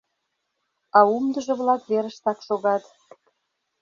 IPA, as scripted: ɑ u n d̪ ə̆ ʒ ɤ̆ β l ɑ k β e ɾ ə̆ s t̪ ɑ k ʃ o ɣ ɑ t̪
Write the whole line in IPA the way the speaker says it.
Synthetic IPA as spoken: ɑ u m d̪ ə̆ ʒ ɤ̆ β l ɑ k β e ɾ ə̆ ʃ t̪ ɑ k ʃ o ɣ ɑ t̪